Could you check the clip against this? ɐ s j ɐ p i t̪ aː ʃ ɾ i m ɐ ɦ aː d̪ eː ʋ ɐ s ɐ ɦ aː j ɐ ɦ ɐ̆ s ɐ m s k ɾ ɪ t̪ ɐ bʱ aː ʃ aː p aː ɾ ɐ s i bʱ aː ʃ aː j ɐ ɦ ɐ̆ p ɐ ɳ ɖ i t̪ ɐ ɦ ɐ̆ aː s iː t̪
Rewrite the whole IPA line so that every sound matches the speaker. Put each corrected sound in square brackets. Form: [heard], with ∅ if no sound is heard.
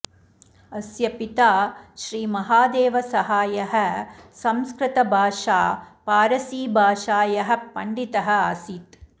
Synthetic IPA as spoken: ɐ s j ɐ p i t̪ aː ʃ ɾ [iː] m ɐ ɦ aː d̪ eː ʋ ɐ s ɐ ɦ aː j ɐ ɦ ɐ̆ s ɐ m s k ɾ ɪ t̪ ɐ bʱ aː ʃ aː p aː ɾ ɐ s [iː] bʱ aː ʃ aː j ɐ ɦ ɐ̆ p ɐ ɳ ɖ i t̪ ɐ ɦ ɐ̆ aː s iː t̪